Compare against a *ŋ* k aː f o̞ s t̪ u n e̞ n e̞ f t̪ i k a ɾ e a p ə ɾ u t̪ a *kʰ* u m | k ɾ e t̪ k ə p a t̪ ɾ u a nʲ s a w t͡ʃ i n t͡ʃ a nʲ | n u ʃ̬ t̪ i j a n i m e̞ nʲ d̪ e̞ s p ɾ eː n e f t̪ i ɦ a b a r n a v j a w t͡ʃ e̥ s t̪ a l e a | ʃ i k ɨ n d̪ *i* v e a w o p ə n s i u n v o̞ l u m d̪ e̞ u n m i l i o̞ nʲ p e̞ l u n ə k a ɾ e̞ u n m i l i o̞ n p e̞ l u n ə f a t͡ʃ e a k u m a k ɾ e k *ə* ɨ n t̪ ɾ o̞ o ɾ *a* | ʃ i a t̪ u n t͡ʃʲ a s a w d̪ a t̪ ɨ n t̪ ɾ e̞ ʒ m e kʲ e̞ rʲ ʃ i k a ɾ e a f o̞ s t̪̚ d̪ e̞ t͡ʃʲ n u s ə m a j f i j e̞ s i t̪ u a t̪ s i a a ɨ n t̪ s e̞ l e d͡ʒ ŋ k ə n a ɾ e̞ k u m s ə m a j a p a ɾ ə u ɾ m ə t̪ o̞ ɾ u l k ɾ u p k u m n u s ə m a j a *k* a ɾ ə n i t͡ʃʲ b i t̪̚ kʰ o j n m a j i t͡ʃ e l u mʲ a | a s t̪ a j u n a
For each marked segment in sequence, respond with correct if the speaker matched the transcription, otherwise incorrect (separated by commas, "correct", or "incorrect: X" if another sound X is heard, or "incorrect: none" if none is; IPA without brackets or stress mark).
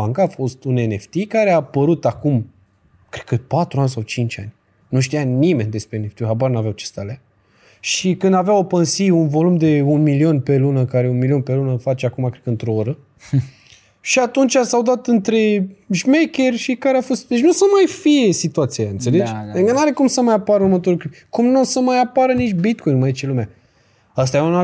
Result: correct, incorrect: k, incorrect: a, correct, incorrect: ə, incorrect: p